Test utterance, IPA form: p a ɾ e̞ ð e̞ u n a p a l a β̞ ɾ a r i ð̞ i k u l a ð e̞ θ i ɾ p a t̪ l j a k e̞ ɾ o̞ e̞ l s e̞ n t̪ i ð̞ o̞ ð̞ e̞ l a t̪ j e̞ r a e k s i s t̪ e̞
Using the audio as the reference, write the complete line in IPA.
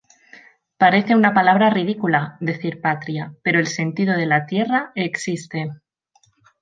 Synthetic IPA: p a ɾ e̞ θ e̞ u n a p a l a β̞ ɾ a r i ð̞ i k u l a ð e̞ θ i ɾ p a t̪ ɾ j a p e̞ ɾ o̞ e̞ l s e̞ n t̪ i ð̞ o̞ ð̞ e̞ l a t̪ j e̞ r a e k s i s t̪ e̞